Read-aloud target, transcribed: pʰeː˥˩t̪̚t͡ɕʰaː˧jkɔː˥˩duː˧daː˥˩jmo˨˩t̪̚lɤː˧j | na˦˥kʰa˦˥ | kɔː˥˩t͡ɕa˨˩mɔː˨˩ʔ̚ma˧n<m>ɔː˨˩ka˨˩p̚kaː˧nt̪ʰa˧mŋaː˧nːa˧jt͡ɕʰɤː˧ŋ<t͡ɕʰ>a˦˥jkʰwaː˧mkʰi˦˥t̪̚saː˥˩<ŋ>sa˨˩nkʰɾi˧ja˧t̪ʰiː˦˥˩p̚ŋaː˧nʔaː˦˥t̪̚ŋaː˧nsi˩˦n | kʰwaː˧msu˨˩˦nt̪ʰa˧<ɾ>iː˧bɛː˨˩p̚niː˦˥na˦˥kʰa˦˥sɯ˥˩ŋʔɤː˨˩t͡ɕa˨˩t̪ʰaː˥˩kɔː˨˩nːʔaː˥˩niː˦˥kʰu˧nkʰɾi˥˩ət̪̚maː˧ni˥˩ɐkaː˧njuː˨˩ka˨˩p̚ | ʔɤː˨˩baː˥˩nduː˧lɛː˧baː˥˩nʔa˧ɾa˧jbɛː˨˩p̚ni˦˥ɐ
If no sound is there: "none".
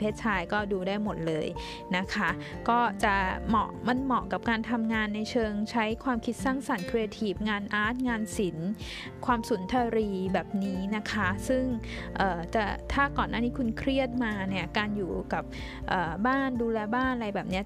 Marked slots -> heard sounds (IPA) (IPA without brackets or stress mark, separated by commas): m, t͡ɕʰ, ŋ, ɾ